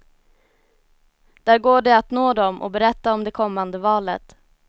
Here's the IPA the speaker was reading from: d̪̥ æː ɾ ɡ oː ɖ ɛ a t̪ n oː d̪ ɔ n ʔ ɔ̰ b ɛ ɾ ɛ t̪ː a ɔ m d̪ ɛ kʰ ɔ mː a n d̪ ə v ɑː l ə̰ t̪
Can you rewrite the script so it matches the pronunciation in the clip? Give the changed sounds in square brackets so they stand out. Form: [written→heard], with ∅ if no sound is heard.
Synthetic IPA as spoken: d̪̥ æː ɾ ɡ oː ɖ ɛ a t̪ n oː d̪ ɔ [n→m] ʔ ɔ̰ b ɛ ɾ ɛ t̪ː a ɔ m d̪ ɛ kʰ ɔ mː a n d̪ ə v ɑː l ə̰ t̪

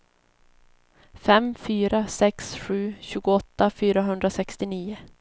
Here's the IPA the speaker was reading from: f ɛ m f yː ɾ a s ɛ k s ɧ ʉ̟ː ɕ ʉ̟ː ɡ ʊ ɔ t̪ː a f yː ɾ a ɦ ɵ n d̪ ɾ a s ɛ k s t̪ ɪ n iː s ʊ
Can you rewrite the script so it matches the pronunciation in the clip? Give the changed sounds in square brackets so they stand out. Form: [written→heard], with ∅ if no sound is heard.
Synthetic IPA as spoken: f ɛ m f yː ɾ a s ɛ k s ɧ ʉ̟ː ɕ ʉ̟ː ɡ ʊ ɔ t̪ː a f yː ɾ a ɦ ɵ n d̪ ɾ a s ɛ k s t̪ ɪ n iː [s→∅] ʊ

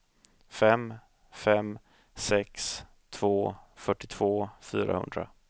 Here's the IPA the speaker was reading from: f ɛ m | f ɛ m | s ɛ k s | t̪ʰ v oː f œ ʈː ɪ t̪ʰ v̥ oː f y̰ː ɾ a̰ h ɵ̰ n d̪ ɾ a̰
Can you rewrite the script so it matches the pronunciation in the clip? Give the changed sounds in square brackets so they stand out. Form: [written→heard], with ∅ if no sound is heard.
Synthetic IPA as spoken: f ɛ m | f ɛ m | s ɛ k s | t̪ʰ v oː f œ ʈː ɪ t̪ʰ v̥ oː f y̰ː ɾ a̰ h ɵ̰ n d̪ ɾ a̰

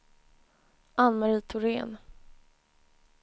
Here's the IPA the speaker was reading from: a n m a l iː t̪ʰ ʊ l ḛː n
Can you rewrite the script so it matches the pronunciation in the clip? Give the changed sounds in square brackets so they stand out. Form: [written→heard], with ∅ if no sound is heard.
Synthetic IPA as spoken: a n m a [l→ɾ] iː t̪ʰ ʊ [l→ɾ] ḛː n

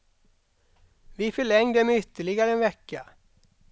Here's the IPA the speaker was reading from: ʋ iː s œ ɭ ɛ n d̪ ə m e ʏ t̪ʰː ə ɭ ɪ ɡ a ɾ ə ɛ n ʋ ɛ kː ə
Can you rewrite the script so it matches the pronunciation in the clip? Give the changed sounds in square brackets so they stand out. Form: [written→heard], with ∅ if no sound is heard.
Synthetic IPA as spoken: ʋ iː [s→f] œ ɭ ɛ [n→ŋ] d̪ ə m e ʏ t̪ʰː ə ɭ ɪ ɡ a ɾ ə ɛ n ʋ ɛ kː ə

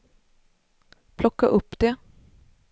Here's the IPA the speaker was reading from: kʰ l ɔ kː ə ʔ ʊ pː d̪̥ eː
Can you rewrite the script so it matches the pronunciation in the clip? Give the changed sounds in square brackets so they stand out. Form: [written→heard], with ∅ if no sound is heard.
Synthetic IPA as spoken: [kʰ→pʰ] l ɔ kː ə ʔ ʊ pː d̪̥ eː

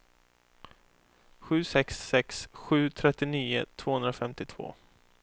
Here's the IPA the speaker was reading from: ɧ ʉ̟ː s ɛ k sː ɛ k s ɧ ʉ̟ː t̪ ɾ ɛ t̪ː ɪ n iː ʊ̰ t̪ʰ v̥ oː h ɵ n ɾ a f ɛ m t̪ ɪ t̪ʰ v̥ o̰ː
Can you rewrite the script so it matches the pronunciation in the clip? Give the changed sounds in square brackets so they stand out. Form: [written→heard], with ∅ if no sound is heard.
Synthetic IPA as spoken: ɧ ʉ̟ː s ɛ k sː ɛ k s ɧ ʉ̟ː [t̪→t̪ʰ] ɾ ɛ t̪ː ɪ n iː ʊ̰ t̪ʰ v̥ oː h ɵ n ɾ a f ɛ m t̪ ɪ t̪ʰ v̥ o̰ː

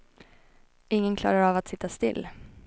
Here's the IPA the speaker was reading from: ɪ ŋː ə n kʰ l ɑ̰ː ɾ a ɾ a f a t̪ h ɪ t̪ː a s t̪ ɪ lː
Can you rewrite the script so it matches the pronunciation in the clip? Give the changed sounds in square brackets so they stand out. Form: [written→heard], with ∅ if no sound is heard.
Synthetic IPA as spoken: ɪ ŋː ə n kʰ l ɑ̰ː ɾ a ɾ a [f→v] a t̪ [h→s] ɪ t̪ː a s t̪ ɪ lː

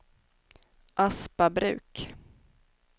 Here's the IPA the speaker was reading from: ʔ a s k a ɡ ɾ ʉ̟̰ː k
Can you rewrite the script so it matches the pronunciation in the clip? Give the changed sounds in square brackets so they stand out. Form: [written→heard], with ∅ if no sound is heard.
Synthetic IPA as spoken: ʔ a s [k→p] a [ɡ→b] ɾ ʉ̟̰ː k

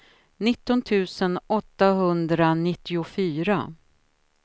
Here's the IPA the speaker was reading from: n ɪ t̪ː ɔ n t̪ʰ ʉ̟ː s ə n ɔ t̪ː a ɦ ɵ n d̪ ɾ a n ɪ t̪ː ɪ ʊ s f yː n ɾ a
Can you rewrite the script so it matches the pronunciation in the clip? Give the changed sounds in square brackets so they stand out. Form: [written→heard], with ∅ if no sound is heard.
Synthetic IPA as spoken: n ɪ t̪ː ɔ n t̪ʰ ʉ̟ː s ə n ɔ t̪ː a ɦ ɵ n d̪ ɾ a n ɪ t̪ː ɪ ʊ [s→∅] f yː [n→∅] ɾ a

